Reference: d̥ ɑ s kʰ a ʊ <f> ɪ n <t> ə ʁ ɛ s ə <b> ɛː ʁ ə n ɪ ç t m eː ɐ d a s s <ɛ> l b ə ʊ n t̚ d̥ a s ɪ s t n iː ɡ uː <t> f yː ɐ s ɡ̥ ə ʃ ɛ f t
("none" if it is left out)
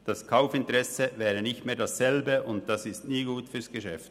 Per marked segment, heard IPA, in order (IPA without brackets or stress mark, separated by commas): f, t, v, ɛ, t